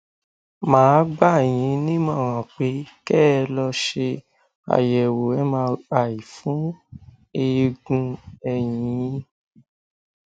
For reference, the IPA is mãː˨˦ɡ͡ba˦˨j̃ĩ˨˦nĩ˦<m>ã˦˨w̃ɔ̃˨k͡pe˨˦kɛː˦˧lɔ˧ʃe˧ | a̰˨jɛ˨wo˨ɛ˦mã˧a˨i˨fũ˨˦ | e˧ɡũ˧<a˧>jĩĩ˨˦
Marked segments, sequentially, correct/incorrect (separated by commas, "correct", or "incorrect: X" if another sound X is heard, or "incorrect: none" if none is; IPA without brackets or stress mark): correct, incorrect: ɛ˧